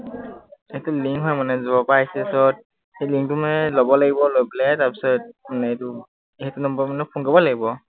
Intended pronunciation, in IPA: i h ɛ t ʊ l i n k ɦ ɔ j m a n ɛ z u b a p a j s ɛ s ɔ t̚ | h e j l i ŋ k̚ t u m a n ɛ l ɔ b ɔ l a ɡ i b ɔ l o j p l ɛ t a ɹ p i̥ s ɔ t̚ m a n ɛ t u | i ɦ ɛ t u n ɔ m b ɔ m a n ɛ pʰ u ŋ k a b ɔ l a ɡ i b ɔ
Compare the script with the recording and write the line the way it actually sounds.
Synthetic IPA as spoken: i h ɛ t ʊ l i ŋ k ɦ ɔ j m a n ɛ z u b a p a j s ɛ s ɔ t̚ | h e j l i ŋ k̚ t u m a n ɛ l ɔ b ɔ l a ɡ i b ɔ l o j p l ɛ t a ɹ p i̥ s ɔ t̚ m a n ɛ t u | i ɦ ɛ t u n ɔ m b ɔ m a n ɛ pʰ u ŋ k a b ɔ l a ɡ i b ɔ